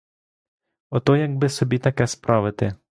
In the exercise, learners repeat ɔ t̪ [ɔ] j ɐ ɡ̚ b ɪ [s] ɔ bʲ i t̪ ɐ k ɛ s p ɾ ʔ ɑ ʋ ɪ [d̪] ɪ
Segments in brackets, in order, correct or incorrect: correct, correct, incorrect

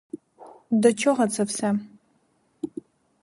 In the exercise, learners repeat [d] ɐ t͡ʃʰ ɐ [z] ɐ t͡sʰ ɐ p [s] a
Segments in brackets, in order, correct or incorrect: correct, incorrect, correct

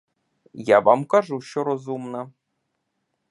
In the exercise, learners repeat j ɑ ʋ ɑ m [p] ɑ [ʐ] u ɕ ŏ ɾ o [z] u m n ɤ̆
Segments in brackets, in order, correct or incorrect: incorrect, correct, correct

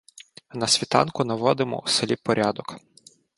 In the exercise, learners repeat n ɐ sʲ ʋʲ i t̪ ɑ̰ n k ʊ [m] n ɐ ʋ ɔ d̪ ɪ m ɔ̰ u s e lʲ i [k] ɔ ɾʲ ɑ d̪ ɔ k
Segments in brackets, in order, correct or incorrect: incorrect, incorrect

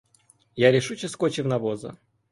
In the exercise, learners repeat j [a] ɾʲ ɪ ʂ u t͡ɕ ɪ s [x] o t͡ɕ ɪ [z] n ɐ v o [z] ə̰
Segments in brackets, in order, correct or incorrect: correct, incorrect, incorrect, correct

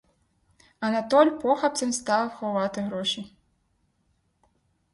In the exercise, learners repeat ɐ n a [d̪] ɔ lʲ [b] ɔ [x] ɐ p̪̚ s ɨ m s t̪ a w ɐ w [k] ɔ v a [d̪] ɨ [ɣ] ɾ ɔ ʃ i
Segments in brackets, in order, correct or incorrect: incorrect, incorrect, correct, incorrect, incorrect, correct

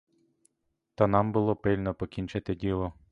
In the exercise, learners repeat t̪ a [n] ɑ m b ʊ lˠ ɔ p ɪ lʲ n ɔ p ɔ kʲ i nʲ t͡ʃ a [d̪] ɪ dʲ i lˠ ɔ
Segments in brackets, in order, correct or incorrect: correct, incorrect

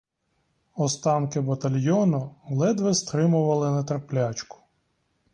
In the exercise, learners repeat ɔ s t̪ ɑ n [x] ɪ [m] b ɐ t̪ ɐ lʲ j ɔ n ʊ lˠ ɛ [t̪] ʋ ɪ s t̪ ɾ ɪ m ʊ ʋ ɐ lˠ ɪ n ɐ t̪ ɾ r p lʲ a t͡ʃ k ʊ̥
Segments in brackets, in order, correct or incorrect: incorrect, incorrect, incorrect

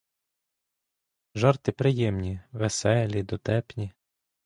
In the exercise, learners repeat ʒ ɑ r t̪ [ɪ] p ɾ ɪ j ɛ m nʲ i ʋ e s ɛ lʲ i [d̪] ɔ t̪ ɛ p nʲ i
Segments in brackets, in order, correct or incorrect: correct, correct

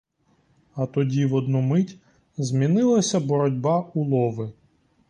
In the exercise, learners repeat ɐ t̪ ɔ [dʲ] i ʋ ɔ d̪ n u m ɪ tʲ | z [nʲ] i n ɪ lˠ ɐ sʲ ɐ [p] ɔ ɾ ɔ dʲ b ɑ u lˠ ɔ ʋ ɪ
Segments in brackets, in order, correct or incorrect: correct, incorrect, incorrect

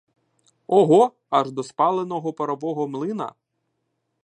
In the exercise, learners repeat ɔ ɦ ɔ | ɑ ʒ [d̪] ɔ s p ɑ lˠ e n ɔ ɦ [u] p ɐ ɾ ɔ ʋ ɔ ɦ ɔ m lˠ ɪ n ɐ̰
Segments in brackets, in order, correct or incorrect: correct, incorrect

